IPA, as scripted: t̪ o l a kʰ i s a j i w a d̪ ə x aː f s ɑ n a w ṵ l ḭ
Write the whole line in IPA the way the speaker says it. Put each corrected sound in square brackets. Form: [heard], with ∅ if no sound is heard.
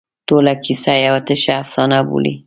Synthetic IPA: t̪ o l a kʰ i s a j [a] w a [t̪] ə [ʃ] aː f s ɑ n a [b] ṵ l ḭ

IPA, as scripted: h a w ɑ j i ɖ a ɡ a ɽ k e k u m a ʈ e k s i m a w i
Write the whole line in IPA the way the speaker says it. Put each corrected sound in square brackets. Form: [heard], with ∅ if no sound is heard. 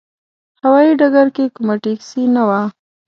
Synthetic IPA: h a w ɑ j i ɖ a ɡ a [ɾ] k e k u m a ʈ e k s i [n] a w [a]

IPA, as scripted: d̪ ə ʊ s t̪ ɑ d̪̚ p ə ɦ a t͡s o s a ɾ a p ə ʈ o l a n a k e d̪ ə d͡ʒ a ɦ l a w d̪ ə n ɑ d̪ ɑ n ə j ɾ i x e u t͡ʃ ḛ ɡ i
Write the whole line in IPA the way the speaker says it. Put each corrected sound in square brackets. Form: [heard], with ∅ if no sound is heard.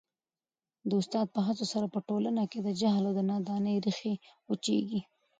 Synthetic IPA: d̪ ə ʊ s t̪ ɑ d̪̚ p ə ɦ a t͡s o s a ɾ a p ə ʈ o l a n a k e d̪ ə d͡ʒ a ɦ l a w d̪ ə n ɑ d̪ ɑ n ə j ɾ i x e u t͡ʃ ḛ ɡ i

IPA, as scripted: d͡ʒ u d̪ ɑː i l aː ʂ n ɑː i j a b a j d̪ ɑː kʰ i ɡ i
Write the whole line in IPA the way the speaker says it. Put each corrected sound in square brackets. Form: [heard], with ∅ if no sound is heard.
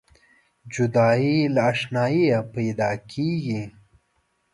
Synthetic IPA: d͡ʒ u d̪ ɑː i l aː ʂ n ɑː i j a [p] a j d̪ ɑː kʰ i ɡ i

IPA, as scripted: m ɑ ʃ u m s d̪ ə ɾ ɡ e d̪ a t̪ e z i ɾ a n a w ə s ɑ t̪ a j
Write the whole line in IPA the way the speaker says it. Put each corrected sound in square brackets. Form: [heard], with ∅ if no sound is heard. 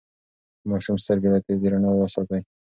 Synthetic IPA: m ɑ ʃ u m s [t̪] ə ɾ ɡ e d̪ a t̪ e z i ɾ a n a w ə s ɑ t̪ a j

